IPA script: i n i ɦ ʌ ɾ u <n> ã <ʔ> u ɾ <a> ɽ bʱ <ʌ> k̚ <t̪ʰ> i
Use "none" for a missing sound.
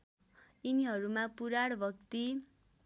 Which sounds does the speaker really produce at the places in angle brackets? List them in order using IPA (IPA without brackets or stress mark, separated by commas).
m, p, a, ʌ, t̪